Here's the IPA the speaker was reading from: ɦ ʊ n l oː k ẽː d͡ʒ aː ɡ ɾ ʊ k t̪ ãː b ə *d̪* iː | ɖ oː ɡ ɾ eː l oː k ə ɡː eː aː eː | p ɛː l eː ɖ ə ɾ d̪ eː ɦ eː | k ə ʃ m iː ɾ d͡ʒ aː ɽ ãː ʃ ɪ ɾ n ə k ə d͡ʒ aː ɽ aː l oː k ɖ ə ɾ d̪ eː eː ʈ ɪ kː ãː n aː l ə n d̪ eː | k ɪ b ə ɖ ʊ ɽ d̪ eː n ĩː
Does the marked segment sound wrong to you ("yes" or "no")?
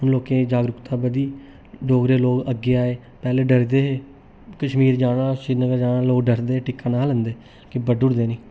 no